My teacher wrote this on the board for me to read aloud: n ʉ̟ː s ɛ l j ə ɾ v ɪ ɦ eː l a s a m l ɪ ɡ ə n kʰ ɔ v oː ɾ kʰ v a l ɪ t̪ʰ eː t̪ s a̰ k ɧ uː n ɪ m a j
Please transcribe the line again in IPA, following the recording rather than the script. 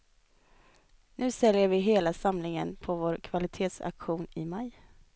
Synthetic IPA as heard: n ʉ̟ː s ɛ l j ə ɾ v ɪ ɦ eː l a s a m l ɪ ŋ ə n pʰ ɔ v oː ɾ kʰ v a l ɪ t̪ʰ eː t̪ s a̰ k ɧ uː n ɪ m a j